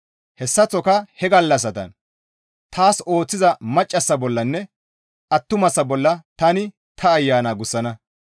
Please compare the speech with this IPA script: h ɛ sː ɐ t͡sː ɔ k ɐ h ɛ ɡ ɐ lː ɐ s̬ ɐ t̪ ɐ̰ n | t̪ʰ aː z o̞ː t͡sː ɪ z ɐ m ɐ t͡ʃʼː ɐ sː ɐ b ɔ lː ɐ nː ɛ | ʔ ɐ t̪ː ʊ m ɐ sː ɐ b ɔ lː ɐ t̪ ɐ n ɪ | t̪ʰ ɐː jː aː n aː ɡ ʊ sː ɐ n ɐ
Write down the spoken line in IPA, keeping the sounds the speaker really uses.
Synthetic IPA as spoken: h ɛ sː ɐ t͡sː ɔ k ɐ h ɛ ɡ ɐ lː ɐ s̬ ɐ t̪ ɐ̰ n | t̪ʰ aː s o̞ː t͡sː ɪ z ɐ m ɐ t͡ʃʼː ɐ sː ɐ b ɔ lː ɐ nː ɛ | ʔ ɐ t̪ː ʊ m ɐ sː ɐ b ɔ lː ɐ t̪ ɐ n ɪ | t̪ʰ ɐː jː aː n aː ɡ ʊ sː ɐ n ɐ